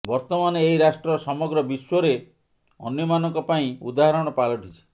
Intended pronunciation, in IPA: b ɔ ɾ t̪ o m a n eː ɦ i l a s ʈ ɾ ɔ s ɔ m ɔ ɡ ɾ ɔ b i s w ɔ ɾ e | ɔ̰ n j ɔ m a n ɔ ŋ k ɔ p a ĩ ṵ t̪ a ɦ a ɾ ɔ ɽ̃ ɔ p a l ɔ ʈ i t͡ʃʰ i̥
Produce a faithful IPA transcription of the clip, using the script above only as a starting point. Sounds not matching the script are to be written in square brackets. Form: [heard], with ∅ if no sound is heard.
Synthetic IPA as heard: b ɔ ɾ t̪ [ɔ] m a n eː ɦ i [ɾ] a s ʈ ɾ ɔ s ɔ m ɔ ɡ ɾ ɔ b i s w ɔ ɾ e | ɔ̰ n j ɔ m a n ɔ ŋ k ɔ p a ĩ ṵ [d̪] a ɦ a ɾ ɔ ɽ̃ ɔ p a l ɔ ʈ i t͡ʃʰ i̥